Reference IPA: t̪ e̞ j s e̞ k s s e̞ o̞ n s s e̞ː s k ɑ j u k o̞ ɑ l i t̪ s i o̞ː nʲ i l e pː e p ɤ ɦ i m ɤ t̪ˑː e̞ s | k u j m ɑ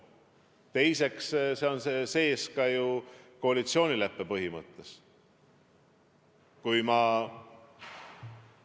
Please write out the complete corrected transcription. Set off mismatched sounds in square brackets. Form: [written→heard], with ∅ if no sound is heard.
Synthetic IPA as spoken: t̪ e̞ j s e̞ k s s e̞ o̞ n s s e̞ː s k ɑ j u k o̞ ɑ l i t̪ s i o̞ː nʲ i l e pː e p ɤ ɦ i m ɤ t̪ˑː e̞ s | k u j m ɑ